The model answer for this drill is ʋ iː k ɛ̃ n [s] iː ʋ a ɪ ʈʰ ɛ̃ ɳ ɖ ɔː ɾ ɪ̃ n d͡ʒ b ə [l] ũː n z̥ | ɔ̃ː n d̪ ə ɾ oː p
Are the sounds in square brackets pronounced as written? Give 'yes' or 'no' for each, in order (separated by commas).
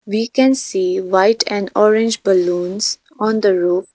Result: yes, yes